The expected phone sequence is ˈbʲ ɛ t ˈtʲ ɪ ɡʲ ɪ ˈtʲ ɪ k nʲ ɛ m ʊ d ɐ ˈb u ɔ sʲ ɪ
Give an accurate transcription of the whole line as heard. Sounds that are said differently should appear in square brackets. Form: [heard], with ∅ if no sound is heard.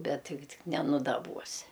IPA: ˈbʲ ɛ t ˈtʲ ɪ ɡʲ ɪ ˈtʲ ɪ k nʲ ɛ [n] ʊ d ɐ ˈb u ɔ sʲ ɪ